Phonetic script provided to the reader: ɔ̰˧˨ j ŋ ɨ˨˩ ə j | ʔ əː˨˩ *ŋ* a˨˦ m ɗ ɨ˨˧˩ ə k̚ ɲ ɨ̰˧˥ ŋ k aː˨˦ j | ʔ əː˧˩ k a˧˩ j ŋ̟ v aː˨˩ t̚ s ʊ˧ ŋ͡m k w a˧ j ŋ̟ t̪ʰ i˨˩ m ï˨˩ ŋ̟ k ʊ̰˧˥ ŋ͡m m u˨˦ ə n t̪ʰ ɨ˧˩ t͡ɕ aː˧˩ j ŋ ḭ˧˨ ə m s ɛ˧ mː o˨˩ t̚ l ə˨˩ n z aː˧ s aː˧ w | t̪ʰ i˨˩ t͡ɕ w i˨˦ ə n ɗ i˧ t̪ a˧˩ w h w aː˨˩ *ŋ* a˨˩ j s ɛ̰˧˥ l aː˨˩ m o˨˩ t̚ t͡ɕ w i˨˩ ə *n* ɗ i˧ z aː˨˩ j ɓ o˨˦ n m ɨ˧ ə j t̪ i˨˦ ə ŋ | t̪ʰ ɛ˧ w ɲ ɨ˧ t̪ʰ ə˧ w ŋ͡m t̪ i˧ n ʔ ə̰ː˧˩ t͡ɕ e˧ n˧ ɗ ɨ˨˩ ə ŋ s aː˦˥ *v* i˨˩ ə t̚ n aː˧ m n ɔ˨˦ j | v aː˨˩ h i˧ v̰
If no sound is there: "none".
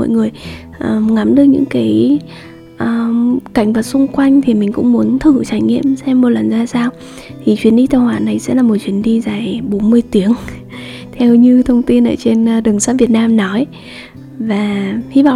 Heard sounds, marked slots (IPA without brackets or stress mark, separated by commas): ŋ, n, n, v